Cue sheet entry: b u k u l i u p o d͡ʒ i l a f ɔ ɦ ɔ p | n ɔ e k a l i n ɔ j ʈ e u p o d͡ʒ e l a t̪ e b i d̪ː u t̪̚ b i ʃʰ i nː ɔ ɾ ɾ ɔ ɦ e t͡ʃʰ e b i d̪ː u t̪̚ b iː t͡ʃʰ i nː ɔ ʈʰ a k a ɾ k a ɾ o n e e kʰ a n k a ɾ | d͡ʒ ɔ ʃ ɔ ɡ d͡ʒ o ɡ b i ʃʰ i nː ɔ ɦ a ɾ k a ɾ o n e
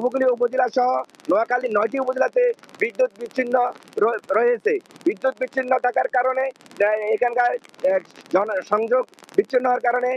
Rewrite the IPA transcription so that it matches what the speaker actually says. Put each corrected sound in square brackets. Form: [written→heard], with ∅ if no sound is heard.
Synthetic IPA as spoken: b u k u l i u p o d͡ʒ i l a [f→ʃ] ɔ ɦ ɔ [p→∅] | n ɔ [e→a] k a l i n ɔ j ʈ [e→i] u p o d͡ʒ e l a t̪ e b i d̪ː u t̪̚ b i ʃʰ i nː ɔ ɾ ɾ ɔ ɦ e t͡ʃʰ e b i d̪ː u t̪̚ b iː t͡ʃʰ i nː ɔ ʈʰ a k a ɾ k a ɾ o n e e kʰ a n k a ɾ | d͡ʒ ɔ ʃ ɔ [ɡ→ŋ] d͡ʒ o ɡ b i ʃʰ i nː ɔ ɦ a ɾ k a ɾ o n e